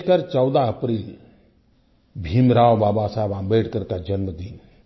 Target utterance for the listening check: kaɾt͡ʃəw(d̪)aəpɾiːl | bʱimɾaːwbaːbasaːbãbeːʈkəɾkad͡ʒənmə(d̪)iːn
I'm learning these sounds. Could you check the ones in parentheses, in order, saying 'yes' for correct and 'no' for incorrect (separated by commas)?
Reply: yes, yes